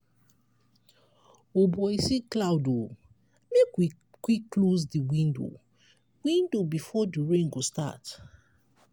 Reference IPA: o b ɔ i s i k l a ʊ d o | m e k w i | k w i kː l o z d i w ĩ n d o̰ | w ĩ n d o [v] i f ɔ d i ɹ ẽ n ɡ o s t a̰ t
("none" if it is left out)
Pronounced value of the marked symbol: b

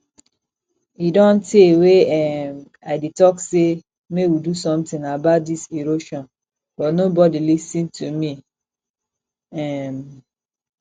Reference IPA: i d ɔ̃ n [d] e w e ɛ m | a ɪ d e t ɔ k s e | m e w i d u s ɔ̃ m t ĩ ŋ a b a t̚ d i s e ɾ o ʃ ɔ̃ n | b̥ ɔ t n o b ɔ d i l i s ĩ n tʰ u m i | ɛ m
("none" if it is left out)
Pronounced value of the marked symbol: t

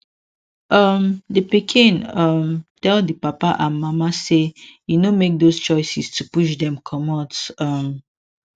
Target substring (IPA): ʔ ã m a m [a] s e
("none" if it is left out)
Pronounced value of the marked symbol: a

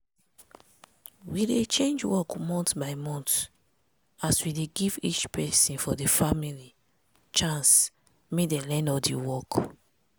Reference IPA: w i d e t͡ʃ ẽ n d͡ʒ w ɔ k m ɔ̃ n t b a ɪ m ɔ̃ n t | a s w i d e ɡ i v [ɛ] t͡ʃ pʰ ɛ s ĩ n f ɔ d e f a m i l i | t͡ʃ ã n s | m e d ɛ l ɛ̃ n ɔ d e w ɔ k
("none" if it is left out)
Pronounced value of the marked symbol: i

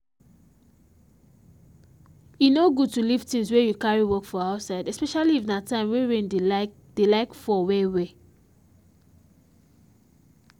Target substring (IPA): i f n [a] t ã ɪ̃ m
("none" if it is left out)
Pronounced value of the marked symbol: a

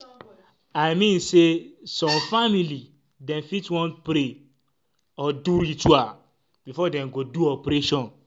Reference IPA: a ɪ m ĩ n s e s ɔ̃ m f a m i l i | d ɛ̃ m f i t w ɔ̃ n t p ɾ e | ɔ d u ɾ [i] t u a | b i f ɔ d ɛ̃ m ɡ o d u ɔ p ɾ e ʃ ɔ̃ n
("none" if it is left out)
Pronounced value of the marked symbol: i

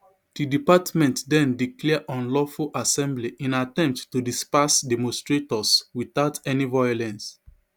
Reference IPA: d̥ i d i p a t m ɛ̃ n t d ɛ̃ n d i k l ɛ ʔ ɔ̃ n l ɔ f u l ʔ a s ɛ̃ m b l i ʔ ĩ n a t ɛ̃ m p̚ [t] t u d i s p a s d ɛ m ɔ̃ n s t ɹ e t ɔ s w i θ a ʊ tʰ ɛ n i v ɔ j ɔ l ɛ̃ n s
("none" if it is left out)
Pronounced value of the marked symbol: t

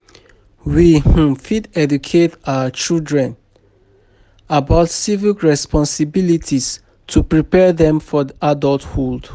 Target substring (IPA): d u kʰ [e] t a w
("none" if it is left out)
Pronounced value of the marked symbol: e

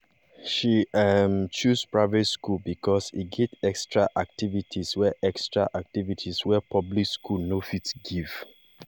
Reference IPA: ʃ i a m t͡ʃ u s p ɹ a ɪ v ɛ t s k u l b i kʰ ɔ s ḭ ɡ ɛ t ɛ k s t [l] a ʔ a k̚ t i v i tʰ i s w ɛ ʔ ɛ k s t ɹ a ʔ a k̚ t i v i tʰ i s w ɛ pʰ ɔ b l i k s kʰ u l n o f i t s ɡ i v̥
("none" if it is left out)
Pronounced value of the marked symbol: ɹ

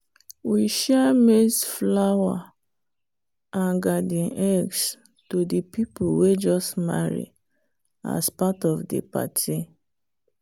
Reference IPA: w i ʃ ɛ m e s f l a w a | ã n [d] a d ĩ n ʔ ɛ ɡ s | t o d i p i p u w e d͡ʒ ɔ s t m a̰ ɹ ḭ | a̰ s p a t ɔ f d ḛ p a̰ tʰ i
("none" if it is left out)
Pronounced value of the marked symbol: ɡ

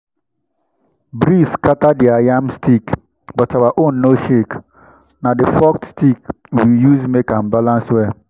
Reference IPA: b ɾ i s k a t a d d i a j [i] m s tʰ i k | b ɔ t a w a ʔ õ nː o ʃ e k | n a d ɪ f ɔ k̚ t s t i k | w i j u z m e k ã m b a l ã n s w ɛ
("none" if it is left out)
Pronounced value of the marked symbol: a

